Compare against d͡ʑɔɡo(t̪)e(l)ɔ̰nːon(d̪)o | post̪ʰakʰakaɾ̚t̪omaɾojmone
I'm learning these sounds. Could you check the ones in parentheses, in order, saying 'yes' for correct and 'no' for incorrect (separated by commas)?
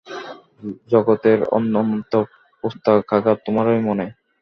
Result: yes, no, no